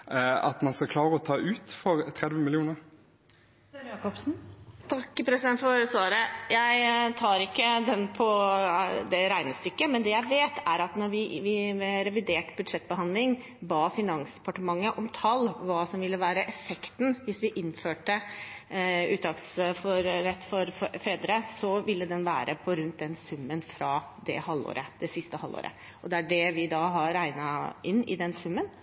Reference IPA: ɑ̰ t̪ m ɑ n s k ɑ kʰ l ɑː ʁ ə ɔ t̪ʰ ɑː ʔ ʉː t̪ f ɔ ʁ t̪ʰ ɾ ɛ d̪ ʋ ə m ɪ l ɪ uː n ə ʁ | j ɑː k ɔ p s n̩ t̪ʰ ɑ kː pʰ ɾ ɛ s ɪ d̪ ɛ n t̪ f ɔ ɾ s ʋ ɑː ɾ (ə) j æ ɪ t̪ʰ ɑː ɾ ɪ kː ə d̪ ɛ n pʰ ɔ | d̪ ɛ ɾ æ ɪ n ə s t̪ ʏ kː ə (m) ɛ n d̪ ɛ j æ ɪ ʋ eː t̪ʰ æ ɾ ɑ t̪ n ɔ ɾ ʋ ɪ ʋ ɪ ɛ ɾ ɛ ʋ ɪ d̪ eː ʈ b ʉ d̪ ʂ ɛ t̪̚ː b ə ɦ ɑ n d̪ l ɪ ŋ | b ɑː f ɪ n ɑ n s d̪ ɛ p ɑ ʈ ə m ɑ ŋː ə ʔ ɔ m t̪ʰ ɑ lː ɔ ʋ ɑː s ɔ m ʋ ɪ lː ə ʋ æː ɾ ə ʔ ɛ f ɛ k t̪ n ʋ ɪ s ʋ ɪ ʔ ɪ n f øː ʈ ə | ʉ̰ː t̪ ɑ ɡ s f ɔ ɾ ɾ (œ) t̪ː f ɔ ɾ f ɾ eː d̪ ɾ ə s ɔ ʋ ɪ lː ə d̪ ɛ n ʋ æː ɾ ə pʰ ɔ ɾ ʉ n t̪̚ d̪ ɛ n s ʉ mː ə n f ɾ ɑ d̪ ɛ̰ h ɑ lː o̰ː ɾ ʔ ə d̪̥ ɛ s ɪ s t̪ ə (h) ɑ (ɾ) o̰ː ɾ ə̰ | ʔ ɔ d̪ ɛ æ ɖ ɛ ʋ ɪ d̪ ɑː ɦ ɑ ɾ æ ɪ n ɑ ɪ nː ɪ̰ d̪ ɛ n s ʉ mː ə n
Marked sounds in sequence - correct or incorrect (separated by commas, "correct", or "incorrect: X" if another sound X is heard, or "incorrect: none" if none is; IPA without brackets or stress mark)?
correct, correct, incorrect: ɛ, correct, incorrect: l